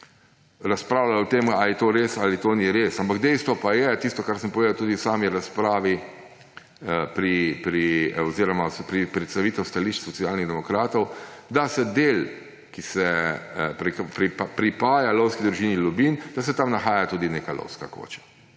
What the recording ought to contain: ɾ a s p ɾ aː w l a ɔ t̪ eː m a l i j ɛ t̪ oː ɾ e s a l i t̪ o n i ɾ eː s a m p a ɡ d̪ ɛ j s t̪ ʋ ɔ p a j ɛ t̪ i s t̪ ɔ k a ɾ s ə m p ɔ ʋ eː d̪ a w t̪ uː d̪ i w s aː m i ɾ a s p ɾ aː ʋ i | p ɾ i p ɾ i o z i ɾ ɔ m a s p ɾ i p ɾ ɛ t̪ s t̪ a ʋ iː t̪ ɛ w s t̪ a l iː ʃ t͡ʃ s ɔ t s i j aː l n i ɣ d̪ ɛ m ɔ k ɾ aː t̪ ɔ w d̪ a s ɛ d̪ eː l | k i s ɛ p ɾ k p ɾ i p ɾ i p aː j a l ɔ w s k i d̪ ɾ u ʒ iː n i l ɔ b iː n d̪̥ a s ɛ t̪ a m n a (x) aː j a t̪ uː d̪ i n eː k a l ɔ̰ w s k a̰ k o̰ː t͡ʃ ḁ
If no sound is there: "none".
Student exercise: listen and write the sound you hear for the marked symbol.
x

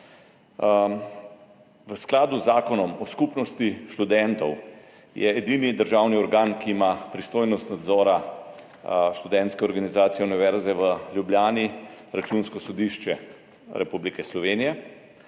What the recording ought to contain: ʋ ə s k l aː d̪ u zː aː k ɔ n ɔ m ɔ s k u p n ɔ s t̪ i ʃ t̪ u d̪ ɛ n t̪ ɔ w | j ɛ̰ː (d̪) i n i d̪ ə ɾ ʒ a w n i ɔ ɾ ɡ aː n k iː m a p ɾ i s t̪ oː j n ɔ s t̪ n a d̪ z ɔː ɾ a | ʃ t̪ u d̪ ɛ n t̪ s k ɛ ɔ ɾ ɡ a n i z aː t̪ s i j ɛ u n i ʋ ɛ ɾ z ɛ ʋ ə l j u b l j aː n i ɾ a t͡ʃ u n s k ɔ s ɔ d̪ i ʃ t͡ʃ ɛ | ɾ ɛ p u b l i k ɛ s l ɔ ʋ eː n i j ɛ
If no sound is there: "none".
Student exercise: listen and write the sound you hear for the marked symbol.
d̪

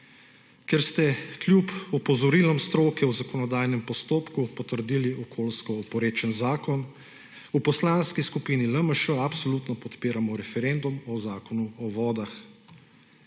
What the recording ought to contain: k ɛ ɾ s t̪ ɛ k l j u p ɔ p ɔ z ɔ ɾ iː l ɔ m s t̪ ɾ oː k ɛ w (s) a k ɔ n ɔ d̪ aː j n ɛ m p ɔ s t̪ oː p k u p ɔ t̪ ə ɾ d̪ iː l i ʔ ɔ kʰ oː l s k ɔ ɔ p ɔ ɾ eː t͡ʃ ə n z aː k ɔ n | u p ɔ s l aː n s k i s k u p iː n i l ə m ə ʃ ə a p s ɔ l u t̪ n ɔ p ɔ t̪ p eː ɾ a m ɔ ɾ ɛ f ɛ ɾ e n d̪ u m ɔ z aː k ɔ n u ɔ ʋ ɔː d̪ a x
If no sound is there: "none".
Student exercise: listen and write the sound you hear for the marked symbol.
z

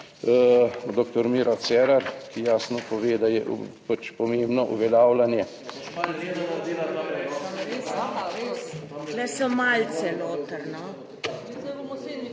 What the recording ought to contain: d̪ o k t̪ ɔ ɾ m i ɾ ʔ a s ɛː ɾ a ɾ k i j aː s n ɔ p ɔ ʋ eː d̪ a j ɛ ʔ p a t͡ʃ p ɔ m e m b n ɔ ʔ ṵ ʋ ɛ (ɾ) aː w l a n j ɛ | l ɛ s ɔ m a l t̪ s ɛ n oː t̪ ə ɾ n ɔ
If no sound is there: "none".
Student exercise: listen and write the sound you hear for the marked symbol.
l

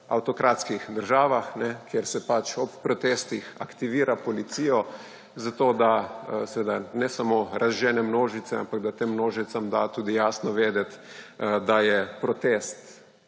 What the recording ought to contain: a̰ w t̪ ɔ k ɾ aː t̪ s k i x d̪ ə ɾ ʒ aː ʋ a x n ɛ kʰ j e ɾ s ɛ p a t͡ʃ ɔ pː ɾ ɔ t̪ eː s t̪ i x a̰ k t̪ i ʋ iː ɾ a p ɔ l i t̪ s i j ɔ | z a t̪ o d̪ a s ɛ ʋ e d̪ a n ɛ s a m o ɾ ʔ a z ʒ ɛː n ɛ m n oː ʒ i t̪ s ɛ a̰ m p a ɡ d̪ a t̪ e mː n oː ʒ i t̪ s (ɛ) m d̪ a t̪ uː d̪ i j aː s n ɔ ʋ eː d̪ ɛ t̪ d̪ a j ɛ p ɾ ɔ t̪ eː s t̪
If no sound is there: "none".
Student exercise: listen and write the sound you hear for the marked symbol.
a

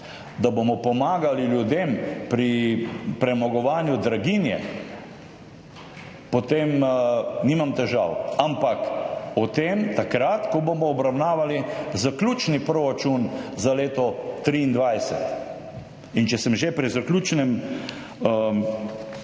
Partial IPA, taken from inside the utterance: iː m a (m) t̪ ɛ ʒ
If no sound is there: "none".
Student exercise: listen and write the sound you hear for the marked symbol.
m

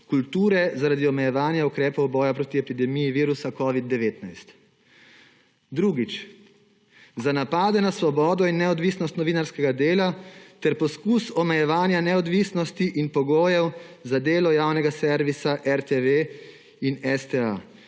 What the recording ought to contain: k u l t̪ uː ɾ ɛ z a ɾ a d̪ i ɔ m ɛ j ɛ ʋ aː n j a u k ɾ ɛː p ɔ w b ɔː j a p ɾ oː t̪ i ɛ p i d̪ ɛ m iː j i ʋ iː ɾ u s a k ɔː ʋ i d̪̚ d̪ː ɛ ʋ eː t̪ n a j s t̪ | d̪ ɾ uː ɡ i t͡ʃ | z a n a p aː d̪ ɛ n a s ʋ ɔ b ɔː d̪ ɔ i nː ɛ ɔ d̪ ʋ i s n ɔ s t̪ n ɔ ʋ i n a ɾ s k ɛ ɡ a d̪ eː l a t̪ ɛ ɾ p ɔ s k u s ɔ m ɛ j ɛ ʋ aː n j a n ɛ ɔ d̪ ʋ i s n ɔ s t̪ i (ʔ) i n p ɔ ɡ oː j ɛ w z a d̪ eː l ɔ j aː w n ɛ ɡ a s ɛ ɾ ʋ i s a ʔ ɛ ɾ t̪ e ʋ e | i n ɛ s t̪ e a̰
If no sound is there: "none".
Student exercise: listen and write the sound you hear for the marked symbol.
ʔ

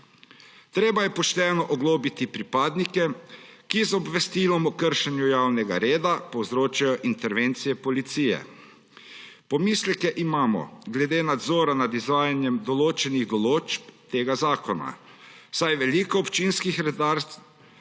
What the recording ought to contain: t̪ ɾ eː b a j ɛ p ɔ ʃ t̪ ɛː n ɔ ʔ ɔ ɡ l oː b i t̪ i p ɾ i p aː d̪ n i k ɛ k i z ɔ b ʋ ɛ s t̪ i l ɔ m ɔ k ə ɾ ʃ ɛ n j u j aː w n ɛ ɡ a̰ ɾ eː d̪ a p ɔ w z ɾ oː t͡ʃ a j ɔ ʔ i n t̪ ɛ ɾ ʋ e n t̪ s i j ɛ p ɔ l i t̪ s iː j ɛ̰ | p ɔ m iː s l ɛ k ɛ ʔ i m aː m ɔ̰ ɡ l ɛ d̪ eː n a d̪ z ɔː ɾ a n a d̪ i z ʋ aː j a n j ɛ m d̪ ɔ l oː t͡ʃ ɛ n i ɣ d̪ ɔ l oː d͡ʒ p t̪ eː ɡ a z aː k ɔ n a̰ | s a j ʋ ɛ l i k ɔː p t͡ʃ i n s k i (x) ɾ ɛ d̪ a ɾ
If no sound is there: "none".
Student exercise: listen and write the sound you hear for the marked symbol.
x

